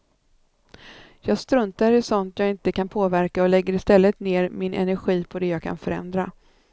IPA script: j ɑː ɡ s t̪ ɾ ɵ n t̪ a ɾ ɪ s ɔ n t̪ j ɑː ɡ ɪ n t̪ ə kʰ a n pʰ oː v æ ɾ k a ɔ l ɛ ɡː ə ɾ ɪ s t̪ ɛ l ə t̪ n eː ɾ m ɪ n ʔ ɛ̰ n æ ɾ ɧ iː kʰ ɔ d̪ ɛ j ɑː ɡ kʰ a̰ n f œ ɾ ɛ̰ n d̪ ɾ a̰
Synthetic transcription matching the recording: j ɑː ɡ s t̪ ɾ ɵ n t̪ a ɾ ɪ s ɔ n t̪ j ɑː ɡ ɪ n t̪ ə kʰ a n pʰ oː v æ ɾ k a ɔ l ɛ ɡː ə ɾ ɪ s t̪ ɛ lː ə t̪ n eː ɾ m ɪ n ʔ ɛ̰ n æ ɾ ɧ iː pʰ ɔ d̪ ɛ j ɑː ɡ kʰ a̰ n f œ ɾ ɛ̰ n d̪ ɾ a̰